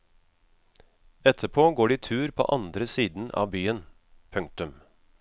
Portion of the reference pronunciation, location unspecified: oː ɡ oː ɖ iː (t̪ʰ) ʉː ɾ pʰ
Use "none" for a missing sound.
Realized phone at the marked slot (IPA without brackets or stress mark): t̪ʰ